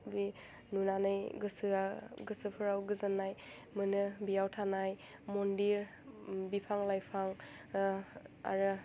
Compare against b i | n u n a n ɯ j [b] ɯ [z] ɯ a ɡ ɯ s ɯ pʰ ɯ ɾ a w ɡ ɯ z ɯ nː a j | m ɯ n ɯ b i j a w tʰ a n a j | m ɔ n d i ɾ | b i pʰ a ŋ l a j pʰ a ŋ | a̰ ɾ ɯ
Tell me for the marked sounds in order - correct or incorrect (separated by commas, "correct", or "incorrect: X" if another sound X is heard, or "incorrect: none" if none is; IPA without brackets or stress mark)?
incorrect: ɡ, incorrect: s